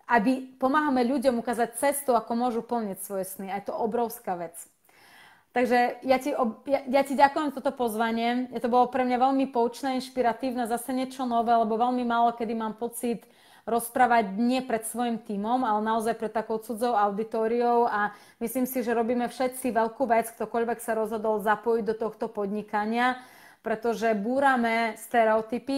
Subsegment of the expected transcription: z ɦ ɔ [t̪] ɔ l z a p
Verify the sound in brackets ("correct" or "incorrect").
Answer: incorrect